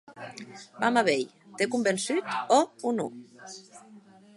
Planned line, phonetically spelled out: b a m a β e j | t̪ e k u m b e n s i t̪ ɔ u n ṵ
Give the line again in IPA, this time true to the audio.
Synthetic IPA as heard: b a m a β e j | t̪ e k u m b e n s y t̪ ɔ u n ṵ